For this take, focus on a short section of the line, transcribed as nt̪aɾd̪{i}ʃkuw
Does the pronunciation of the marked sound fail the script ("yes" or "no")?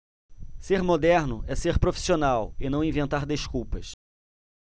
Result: yes